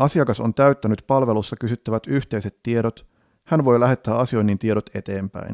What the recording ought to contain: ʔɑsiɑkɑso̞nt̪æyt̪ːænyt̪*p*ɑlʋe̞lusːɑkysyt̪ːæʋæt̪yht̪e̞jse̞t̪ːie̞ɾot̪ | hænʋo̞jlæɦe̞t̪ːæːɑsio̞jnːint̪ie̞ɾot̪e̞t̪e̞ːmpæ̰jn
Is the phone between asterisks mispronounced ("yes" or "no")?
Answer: no